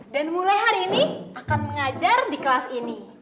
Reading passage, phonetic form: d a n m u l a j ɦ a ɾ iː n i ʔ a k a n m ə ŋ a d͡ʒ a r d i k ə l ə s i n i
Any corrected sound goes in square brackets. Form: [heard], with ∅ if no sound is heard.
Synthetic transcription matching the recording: d a n m u l a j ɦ a ɾ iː n i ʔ a k a n m ə ŋ a d͡ʒ a r d i k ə l [a] s i n i